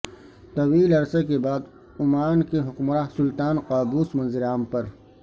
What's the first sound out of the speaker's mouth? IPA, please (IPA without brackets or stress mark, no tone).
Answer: t̪